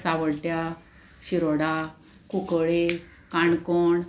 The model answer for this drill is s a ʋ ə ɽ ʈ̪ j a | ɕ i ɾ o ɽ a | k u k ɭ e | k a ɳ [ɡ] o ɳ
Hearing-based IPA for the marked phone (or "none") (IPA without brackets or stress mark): k